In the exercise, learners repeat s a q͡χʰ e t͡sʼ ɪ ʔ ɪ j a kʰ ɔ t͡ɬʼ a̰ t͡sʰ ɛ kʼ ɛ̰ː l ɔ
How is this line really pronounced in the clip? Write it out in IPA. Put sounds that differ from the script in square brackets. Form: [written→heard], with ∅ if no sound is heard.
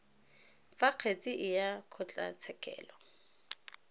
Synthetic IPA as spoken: [s→f] a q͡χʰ e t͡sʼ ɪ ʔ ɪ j a kʰ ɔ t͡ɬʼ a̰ t͡sʰ ɛ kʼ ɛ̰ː l ɔ